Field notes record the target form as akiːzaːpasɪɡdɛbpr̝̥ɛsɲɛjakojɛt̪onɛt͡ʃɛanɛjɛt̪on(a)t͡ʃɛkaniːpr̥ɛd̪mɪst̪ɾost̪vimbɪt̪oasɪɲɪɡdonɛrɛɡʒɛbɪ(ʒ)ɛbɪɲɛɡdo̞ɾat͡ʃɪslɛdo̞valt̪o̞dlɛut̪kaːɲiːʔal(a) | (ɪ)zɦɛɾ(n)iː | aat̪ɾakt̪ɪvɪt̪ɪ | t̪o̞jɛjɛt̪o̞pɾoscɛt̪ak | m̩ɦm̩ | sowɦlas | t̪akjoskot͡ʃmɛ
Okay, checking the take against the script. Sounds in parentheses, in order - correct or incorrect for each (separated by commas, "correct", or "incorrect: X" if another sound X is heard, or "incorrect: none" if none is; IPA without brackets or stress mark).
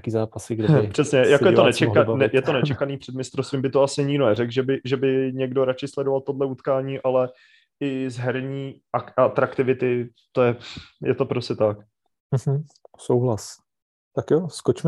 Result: incorrect: ɛ, correct, incorrect: ɛ, correct, incorrect: ɲ